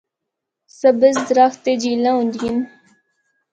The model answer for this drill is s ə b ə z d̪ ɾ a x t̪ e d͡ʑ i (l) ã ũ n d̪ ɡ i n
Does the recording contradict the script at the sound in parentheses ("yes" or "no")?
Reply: no